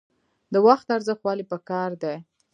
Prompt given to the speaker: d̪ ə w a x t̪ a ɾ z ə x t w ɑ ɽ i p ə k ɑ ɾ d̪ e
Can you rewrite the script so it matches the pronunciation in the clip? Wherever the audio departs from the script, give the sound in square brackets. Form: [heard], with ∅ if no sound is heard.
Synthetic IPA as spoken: d̪ ə w a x t̪ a ɾ z ə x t w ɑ [l] i p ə k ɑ ɾ d̪ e